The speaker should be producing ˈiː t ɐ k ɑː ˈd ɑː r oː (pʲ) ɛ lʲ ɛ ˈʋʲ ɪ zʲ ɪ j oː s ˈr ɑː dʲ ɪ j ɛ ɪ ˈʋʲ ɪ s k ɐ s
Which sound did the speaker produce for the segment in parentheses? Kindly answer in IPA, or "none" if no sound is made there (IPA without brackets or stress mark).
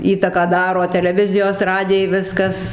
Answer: tʲ